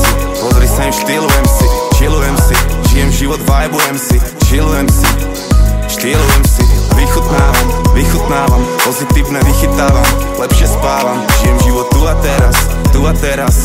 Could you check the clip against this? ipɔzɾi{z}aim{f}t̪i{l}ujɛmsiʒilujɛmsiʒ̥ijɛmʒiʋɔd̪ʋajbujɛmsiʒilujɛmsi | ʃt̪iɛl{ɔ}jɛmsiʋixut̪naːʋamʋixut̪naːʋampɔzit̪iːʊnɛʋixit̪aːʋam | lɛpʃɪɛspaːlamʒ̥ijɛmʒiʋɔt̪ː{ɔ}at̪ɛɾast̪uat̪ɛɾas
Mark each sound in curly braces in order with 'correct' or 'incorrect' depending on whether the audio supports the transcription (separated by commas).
incorrect, incorrect, correct, incorrect, incorrect